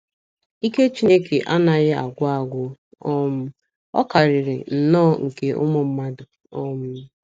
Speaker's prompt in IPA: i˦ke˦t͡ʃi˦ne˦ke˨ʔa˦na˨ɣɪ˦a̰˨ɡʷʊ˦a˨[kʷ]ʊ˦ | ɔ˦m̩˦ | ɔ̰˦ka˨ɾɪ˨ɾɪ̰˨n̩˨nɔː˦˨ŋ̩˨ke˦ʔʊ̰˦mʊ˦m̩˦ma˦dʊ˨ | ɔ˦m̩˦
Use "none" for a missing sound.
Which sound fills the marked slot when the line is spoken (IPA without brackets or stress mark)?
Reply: ɡʷ